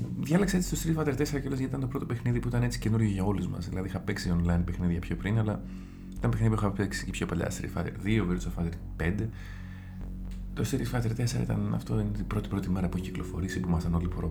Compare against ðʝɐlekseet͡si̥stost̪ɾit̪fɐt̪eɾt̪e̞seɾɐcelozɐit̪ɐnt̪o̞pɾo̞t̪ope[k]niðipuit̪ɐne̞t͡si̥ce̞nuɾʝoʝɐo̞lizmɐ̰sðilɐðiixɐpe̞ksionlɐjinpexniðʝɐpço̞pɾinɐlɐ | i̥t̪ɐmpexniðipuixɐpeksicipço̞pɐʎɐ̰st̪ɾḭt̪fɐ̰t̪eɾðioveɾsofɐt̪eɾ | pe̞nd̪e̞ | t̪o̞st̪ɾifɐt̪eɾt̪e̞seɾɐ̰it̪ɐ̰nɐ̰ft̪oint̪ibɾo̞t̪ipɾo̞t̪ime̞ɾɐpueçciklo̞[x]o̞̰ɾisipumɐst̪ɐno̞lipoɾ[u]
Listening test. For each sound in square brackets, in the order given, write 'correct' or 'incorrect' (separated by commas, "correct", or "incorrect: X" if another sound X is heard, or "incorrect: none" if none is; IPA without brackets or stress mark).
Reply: incorrect: x, incorrect: f, incorrect: o